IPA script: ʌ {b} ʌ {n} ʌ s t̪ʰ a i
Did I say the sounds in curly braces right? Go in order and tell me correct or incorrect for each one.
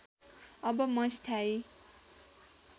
correct, incorrect: m

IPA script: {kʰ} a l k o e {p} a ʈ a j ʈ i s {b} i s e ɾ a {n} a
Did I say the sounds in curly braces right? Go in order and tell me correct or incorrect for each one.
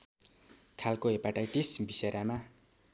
correct, correct, correct, incorrect: m

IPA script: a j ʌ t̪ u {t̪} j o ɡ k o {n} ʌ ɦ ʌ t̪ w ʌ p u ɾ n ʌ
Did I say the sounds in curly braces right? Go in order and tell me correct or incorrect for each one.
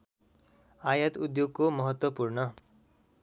incorrect: d̪, incorrect: m

